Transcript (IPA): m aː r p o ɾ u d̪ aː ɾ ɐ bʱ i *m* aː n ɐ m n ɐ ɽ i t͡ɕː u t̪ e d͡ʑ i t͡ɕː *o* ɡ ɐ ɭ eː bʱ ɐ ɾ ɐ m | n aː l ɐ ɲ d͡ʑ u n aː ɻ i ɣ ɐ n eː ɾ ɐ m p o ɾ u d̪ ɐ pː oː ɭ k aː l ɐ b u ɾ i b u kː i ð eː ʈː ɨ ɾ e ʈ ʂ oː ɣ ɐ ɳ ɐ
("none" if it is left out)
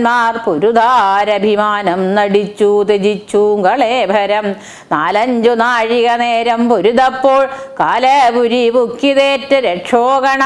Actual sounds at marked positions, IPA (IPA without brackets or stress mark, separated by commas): m, u